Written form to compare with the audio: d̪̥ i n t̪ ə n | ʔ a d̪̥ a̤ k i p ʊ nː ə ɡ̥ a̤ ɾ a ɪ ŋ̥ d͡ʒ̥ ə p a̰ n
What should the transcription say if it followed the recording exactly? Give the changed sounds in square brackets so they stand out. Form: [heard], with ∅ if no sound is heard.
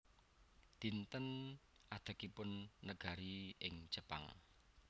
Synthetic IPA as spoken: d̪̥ i n t̪ ə n | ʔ a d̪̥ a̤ k i p ʊ nː ə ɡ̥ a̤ ɾ [i] ɪ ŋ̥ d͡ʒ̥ ə p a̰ [ŋ]